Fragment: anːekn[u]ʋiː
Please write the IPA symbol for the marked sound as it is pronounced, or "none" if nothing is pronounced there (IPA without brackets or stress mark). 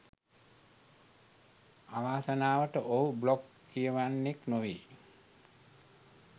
o